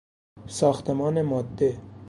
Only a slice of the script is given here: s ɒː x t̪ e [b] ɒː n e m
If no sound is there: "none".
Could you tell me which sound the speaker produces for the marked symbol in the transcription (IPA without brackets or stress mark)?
m